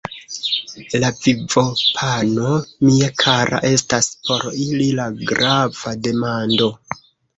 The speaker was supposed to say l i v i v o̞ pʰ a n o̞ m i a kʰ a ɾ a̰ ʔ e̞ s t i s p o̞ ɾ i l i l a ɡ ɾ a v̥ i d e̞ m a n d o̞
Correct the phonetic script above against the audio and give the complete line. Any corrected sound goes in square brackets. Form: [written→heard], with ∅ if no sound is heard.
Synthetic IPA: l [i→a] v i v o̞ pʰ a n o̞ m i a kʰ a ɾ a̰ ʔ e̞ s t [i→a] s p o̞ ɾ i l i l a ɡ ɾ a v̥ [i→a] d e̞ m a n d o̞